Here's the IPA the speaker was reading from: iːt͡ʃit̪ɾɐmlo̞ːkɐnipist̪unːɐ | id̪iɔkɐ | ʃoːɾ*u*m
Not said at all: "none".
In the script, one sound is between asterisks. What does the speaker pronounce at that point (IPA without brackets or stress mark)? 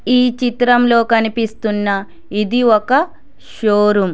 u